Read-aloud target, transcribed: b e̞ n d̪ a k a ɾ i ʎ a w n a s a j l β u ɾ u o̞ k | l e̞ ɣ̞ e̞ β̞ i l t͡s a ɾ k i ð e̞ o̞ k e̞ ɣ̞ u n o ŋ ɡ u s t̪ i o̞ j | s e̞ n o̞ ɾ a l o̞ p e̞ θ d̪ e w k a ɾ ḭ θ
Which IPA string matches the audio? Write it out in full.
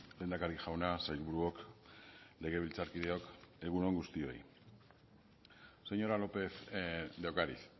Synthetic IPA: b e̞ n d̪ a k a ɾ i ʝ a w n a s a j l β u ɾ u o̞ k | l e̞ ɣ̞ e̞ β̞ i l t͡s a ɾ k i ð e̞ o̞ k e̞ ɣ̞ u n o ŋ ɡ u s t̪ i o̞ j | s e̞ ɲ o̞ ɾ a l o̞ p e̞ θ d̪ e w k a ɾ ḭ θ